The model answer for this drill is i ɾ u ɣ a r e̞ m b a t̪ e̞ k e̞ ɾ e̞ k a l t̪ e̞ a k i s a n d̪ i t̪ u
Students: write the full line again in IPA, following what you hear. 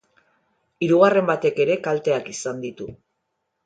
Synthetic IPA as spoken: i ɾ u ɣ a r e̞ m b a t̪ e̞ k e̞ ɾ e̞ k a l t̪ e̞ a k i s a n d̪ i t̪ u